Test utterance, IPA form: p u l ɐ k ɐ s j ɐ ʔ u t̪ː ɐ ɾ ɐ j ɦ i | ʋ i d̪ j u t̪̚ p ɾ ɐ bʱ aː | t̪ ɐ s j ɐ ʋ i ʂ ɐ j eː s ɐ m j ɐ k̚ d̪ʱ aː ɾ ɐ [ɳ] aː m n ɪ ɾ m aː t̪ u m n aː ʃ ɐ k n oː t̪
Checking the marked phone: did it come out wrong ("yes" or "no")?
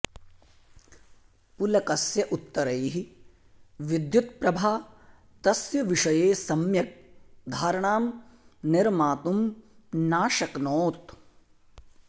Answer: no